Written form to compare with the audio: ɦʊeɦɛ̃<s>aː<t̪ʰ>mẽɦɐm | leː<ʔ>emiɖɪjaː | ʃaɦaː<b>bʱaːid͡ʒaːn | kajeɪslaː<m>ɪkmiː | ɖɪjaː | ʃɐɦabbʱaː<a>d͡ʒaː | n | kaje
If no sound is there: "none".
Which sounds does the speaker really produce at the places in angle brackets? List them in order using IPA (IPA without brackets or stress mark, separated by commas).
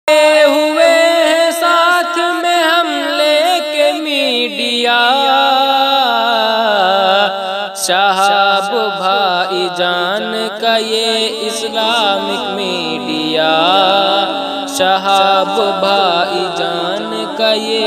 s, t̪ʰ, k, b, m, i